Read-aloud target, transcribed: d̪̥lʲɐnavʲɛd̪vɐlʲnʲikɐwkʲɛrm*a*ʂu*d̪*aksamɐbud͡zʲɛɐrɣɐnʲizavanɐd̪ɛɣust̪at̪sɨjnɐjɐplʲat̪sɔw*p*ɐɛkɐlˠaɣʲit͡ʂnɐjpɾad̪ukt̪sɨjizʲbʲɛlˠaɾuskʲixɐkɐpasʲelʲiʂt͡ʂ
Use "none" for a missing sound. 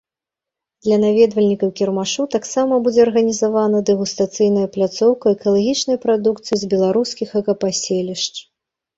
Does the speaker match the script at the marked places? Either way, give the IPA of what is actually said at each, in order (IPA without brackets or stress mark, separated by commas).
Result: a, t̪, k